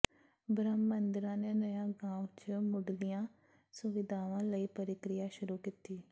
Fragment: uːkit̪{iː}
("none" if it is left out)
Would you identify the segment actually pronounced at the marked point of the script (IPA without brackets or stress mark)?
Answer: iː